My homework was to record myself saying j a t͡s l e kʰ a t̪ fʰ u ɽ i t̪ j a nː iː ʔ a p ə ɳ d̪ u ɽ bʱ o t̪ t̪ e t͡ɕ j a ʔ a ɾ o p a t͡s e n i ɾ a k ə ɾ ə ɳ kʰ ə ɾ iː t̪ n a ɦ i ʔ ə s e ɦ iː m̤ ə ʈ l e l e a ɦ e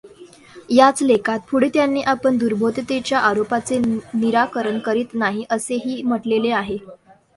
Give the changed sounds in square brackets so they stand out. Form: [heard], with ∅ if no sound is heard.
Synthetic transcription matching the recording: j a t͡s l e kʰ a t̪ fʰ u ɽ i t̪ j a nː iː ʔ a p ə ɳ d̪ u [ɾ] bʱ o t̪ t̪ e t͡ɕ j a ʔ a ɾ o p a t͡s e n i ɾ a k ə ɾ ə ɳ [k] ə ɾ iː t̪ n a ɦ i ʔ ə s e ɦ iː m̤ ə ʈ l e l e a ɦ e